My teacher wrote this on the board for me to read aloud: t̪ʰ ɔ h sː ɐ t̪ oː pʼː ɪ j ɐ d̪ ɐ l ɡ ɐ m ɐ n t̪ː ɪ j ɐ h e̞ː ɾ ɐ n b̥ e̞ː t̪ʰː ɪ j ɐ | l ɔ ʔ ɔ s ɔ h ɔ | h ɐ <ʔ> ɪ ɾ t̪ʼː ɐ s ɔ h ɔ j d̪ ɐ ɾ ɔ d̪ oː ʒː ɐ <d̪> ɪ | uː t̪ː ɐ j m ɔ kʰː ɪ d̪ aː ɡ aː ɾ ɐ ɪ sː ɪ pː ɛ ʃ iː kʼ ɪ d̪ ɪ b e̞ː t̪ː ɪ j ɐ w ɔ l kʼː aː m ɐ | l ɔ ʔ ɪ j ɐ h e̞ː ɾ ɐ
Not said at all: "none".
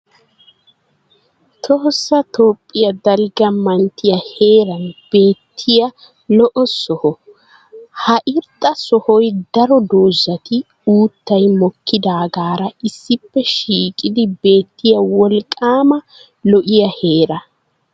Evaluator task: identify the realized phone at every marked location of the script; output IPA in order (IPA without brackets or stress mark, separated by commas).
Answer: ʔ, t̪